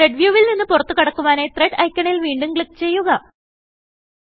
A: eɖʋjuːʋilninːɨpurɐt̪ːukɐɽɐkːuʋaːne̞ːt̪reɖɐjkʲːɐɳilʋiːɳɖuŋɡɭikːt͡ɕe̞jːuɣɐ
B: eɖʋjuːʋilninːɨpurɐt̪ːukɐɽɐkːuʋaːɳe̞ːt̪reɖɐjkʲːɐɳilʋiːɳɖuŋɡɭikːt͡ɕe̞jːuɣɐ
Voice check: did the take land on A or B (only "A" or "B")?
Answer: A